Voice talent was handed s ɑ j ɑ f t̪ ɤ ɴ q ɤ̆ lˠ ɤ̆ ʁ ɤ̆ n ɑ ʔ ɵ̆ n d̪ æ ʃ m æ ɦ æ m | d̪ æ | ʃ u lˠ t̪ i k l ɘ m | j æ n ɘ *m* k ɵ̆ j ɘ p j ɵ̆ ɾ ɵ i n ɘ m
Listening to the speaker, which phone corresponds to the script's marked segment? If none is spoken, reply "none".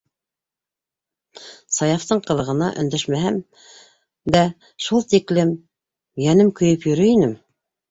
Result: m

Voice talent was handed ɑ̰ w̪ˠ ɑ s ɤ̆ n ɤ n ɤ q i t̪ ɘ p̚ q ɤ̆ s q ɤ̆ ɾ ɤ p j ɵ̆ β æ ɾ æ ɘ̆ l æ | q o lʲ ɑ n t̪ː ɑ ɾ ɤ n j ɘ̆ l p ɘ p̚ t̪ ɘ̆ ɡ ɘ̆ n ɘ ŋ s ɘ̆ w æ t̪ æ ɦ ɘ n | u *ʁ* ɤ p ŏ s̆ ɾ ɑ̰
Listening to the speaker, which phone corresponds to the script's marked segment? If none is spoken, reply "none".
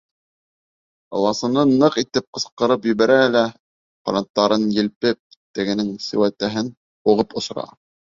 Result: ʁ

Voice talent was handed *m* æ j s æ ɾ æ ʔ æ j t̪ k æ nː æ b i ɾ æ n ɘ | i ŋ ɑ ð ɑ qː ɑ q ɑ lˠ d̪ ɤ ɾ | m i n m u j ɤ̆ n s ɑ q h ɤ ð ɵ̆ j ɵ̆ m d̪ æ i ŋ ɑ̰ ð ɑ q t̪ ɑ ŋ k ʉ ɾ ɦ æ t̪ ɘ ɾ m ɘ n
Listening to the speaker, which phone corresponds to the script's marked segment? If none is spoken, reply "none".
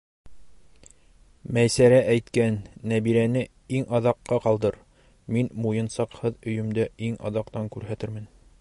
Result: m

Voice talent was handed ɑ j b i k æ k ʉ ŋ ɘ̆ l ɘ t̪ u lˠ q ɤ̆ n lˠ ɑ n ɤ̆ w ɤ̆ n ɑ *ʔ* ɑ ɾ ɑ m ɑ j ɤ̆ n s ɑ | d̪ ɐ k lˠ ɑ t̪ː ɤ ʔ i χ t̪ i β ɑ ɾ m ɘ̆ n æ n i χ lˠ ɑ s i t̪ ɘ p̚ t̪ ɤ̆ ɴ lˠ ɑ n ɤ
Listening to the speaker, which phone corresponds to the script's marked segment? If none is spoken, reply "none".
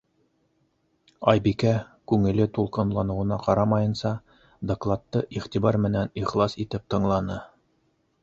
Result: q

